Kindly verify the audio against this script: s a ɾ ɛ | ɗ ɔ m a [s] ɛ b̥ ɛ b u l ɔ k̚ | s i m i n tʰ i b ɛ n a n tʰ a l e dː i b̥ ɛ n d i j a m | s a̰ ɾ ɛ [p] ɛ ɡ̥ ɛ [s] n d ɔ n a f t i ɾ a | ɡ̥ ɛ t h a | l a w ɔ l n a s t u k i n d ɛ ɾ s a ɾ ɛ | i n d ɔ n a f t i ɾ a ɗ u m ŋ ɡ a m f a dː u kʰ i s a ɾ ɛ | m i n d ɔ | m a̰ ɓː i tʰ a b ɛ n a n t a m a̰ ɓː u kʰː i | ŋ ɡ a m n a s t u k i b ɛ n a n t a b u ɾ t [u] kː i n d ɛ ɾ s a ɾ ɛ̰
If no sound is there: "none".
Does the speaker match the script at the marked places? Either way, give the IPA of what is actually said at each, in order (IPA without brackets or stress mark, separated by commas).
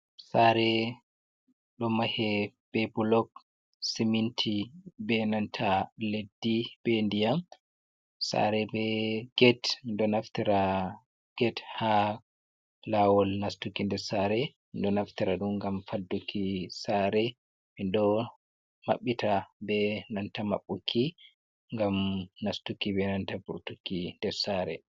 h, b, t, u